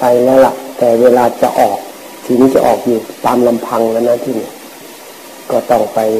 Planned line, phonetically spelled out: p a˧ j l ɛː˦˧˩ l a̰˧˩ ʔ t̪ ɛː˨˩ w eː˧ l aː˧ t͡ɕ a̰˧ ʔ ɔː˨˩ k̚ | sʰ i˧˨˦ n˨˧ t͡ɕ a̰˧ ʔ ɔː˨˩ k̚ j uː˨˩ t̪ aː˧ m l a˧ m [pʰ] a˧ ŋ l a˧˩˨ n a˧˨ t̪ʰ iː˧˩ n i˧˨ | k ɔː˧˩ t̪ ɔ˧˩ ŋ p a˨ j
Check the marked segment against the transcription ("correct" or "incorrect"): correct